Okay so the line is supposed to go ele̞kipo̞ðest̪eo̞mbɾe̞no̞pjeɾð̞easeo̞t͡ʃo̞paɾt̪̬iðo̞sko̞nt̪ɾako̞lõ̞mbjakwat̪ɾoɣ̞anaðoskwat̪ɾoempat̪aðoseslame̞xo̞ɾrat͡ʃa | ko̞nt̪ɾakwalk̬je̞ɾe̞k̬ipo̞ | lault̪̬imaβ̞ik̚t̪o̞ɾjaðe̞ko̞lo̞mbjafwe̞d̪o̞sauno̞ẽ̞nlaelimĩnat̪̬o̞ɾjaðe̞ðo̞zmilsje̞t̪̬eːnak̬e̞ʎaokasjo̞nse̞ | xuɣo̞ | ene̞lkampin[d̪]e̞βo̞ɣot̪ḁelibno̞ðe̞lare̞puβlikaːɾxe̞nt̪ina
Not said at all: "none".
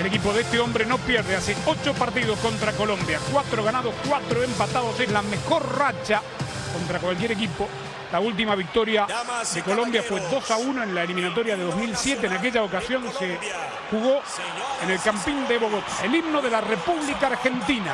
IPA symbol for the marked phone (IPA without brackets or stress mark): d̪